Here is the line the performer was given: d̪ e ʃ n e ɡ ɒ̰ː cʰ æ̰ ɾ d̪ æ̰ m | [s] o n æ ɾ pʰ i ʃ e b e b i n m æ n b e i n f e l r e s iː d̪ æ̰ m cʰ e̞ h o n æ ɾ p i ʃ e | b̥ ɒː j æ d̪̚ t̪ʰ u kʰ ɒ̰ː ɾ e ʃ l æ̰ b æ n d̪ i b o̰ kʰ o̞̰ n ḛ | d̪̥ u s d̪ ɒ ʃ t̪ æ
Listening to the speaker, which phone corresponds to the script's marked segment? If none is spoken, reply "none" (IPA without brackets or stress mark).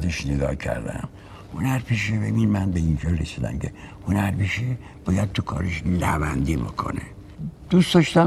h